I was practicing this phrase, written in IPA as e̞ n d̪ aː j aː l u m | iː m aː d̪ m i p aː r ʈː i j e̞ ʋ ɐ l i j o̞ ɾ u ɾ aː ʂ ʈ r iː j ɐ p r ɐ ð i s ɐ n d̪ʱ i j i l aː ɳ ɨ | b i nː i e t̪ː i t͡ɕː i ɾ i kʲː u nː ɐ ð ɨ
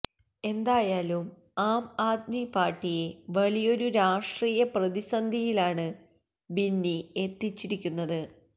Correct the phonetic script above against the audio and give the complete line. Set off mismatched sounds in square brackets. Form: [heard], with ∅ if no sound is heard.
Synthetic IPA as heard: e̞ n d̪ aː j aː l u m | [aː] m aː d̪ m i p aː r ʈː i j e̞ ʋ ɐ l i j o̞ ɾ u ɾ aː ʂ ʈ r iː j ɐ p r ɐ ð i s ɐ n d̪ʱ i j i l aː ɳ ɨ | b i nː i e t̪ː i t͡ɕː i ɾ i kʲː u nː ɐ ð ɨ